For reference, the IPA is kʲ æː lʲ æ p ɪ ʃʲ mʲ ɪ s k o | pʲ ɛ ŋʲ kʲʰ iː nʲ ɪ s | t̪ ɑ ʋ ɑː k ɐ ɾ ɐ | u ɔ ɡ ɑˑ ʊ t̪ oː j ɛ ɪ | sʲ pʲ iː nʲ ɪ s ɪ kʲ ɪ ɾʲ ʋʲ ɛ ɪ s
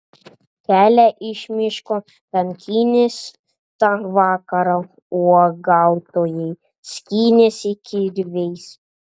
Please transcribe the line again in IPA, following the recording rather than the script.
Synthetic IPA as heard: kʲ æː lʲ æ ʔ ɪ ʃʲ mʲ ɪ ʃ k o | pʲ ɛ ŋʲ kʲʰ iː nʲ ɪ s | t̪ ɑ ʋ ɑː k ɐ ɾ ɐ | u ɔ ɡ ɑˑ ʊ t̪ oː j ɛ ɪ | sʲ kʲ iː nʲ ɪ s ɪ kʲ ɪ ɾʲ ʋʲ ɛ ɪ s

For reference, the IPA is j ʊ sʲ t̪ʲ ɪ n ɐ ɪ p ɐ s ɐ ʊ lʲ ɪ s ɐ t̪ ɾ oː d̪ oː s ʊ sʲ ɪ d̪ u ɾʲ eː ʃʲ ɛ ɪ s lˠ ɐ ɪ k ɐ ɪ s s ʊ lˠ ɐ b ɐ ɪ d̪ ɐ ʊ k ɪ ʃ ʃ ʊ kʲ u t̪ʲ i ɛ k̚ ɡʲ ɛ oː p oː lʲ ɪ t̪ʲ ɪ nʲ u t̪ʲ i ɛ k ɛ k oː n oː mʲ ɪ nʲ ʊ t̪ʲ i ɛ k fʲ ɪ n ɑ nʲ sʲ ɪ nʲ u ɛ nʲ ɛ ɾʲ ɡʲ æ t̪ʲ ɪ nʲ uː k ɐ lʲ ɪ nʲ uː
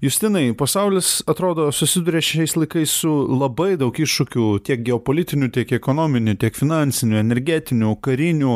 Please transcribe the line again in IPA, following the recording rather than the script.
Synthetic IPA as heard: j ʊ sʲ t̪ʲ ɪ n ɐ ɪ p ɐ s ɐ ʊ lʲ ɪ s ɐ t̪ ɾ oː d̪ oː s ʊ sʲ ɪ d̪ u ɾʲ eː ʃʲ ɛ ɪ s lˠ ɐ ɪ k ɐ ɪ s s ʊ lˠ ɐ b ɐ ɪ d̪ ɐ ʊ k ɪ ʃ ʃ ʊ kʲ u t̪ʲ i ɛ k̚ ɡʲ ɛ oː p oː lʲ ɪ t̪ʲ ɪ nʲ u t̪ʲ i ɛ k ɛ k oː n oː mʲ ɪ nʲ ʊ t̪ʲ i ɛ k fʲ ɪ n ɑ nʲ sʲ ɪ nʲ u ɛ nʲ ɛ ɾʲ ɡʲ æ t̪ʲ ɪ nʲ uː k ɐ ɾʲ ɪ nʲ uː

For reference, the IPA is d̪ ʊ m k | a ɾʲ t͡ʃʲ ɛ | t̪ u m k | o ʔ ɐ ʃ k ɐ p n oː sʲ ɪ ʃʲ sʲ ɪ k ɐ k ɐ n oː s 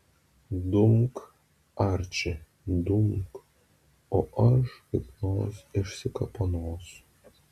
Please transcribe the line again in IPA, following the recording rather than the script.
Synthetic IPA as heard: d̪ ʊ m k | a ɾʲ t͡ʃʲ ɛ | d̪ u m k | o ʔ ɐ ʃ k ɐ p n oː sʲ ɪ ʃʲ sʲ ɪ k ɐ p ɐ n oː s

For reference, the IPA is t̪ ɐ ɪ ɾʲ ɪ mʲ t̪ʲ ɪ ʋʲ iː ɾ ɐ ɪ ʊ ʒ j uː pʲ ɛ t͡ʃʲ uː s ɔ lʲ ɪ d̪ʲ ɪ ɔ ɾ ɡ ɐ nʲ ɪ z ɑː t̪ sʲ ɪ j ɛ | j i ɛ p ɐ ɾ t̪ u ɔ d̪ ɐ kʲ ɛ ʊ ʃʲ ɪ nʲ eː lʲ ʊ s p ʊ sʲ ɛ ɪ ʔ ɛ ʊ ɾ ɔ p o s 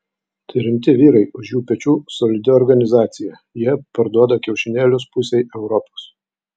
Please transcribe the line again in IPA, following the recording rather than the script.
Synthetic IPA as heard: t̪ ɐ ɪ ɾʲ ɪ mʲ t̪ʲ ɪ ʋʲ iː ɾ ɐ ɪ ʊ ʃ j uː pʲ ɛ t͡ʃʲ uː s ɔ lʲ ɪ d̪ʲ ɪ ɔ ɾ ɡ ɐ nʲ ɪ z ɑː t̪ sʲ ɪ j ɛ | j i ɛ p ɐ ɾ d̪ u ɔ d̪ ɐ kʲ ɛ ʊ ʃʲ ɪ nʲ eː lʲ ʊ s p ʊ sʲ ɛ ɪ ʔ ɛ ʊ ɾ ɔ p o s

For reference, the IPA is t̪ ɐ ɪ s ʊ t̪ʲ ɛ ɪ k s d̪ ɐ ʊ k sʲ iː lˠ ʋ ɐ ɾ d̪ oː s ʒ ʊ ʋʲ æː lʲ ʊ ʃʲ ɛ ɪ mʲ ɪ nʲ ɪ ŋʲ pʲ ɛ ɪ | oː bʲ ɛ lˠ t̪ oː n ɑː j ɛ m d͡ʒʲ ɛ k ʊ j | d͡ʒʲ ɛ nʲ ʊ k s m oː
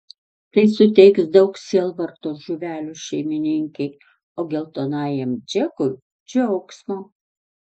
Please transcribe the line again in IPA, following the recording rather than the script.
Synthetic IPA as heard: t̪ ɐ ɪ s ʊ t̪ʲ ɛ ɪ k s d̪ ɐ ʊ k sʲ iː lˠ ʋ ɐ ɾ t̪ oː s ʒ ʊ ʋʲ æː lʲ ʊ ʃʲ ɛ ɪ mʲ ɪ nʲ ɪ ŋʲ kʲ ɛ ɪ | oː ɡʲ ɛ lˠ t̪ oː n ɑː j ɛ m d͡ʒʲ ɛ k ʊ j | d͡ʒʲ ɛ ʊ k s m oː

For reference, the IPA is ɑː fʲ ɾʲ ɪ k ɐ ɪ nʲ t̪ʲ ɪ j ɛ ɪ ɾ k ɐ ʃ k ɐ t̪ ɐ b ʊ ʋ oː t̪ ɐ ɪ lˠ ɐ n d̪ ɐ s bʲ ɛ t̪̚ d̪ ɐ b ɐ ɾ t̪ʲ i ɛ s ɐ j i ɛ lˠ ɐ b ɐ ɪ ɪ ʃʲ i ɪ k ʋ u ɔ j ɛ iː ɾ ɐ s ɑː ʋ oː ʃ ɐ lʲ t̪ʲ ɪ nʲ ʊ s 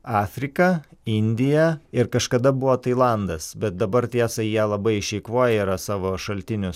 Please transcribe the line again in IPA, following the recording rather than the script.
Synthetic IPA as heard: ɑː fʲ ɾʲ ɪ k ɐ ɪ nʲ d̪ʲ ɪ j ɛ ɪ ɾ k ɐ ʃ k ɐ d̪ ɐ b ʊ ʋ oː t̪ ɐ ɪ lˠ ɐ n d̪ ɐ s bʲ ɛ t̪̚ d̪ ɐ b ɐ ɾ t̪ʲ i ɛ s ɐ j i ɛ lˠ ɐ b ɐ ɪ ɪ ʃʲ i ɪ k ʋ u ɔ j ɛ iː ɾ ɐ s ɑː ʋ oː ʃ ɐ lʲ t̪ʲ ɪ nʲ ʊ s

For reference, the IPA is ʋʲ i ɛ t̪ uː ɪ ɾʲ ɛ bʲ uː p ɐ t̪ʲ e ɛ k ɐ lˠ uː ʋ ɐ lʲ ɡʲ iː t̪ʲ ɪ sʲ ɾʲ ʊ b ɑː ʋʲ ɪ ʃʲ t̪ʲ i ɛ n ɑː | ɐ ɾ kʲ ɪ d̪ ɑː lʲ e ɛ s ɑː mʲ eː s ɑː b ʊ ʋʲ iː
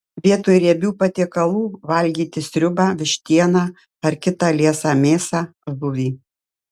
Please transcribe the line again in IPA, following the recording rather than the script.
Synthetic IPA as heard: ʋʲ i ɛ t̪ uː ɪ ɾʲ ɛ bʲ uː p ɐ t̪ʲ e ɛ k ɐ lˠ uː ʋ ɐ lʲ ɡʲ iː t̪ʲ ɪ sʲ ɾʲ ʊ b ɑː ʋʲ ɪ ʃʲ t̪ʲ i ɛ n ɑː | ɐ ɾ kʲ ɪ t̪ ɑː lʲ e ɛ s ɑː mʲ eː s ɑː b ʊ ʋʲ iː

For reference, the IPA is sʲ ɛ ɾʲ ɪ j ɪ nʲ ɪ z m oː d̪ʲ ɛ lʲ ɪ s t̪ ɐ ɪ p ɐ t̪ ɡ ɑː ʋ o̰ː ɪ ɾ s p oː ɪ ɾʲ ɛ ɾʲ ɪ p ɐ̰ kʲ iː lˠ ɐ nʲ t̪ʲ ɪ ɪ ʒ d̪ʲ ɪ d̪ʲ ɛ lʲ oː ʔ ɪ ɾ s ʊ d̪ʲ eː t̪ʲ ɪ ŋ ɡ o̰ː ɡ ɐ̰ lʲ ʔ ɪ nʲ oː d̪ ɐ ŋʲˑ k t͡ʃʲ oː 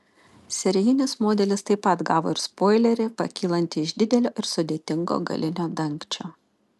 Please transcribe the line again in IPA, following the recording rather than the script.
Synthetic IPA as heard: sʲ ɛ ɾʲ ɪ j ɪ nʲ ɪ s m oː d̪ʲ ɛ lʲ ɪ s t̪ ɐ ɪ p ɐ t̪ ɡ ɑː ʋ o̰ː ɪ ɾ s p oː ɪ lʲ ɛ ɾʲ ɪ p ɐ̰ kʲ iː lˠ ɐ nʲ t̪ʲ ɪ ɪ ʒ d̪ʲ ɪ d̪ʲ ɛ lʲ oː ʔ ɪ ɾ s ʊ d̪ʲ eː t̪ʲ ɪ ŋ ɡ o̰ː ɡ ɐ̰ lʲ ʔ ɪ nʲ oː d̪ ɐ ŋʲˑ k t͡ʃʲ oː

